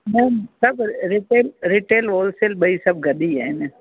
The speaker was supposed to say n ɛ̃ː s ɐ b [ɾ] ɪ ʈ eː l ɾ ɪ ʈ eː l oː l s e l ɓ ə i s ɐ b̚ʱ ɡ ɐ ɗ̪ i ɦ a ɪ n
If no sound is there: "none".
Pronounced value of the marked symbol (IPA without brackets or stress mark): ɾ